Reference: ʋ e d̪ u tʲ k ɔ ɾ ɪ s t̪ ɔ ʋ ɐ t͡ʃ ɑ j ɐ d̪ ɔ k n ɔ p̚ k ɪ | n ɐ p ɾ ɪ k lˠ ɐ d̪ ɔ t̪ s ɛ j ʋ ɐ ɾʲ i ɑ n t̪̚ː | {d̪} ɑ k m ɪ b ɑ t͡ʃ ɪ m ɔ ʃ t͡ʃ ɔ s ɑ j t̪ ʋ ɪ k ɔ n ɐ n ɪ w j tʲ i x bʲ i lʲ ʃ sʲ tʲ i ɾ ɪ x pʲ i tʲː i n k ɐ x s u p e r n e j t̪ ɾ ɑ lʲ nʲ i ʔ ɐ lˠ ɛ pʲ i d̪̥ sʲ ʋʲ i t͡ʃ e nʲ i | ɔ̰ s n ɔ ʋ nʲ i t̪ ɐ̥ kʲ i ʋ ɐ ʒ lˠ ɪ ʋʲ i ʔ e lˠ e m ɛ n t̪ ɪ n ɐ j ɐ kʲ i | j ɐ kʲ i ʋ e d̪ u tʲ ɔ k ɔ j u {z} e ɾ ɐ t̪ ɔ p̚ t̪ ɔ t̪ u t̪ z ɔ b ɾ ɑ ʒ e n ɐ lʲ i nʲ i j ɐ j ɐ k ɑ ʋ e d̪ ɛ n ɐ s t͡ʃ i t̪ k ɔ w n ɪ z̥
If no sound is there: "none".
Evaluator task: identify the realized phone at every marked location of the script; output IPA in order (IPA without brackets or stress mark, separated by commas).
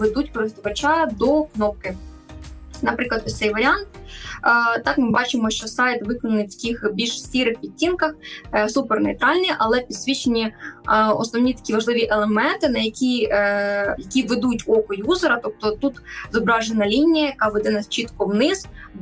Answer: t̪, z